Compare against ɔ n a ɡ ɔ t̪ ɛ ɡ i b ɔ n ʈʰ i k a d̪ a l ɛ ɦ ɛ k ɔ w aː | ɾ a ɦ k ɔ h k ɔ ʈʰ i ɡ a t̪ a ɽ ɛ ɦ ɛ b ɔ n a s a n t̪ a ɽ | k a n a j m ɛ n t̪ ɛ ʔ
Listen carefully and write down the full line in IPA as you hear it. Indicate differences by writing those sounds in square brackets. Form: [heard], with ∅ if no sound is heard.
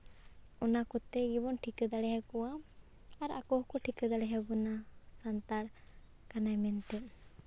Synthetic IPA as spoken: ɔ n a [k] ɔ t̪ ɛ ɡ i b ɔ n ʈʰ i k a d̪ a [ɽ] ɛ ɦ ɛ k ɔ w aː | ɾ a [∅] k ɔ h k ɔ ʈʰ i [k] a [d̪] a ɽ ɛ ɦ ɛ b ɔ n a s a n t̪ a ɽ | k a n a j m ɛ n t̪ ɛ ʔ